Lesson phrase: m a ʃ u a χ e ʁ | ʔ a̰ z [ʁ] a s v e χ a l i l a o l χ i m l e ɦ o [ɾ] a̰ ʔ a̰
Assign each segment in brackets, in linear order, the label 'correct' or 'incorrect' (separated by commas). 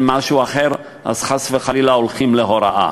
incorrect, correct